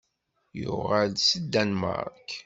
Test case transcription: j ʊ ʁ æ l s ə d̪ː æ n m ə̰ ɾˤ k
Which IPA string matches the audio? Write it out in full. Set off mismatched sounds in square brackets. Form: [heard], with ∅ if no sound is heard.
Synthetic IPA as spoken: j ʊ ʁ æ l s ə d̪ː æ n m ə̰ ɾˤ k